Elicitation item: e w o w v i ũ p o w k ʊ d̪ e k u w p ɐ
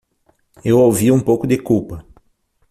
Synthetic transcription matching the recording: e w o w v i ũ p o w k ʊ d̪ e k u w p ɐ